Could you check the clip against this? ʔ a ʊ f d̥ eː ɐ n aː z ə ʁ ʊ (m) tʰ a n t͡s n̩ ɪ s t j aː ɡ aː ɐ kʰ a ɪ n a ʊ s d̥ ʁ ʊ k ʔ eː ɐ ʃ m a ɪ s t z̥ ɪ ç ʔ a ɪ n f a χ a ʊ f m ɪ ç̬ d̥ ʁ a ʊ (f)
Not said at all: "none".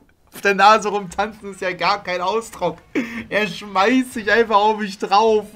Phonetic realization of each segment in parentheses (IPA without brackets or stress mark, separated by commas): m, f